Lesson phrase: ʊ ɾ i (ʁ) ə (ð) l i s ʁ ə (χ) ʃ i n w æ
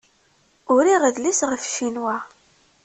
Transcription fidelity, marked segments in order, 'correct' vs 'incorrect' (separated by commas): correct, correct, incorrect